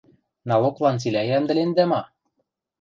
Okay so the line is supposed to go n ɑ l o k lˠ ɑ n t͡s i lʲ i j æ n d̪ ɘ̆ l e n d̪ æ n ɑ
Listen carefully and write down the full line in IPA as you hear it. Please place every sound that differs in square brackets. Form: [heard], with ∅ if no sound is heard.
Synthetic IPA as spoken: n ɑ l o k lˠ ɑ n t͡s i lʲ [æ] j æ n d̪ ɘ̆ l e n d̪ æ [m] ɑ